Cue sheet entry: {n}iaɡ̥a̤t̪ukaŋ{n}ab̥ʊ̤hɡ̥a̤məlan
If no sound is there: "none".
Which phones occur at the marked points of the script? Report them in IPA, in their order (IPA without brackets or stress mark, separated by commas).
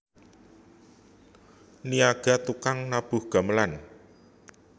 n, n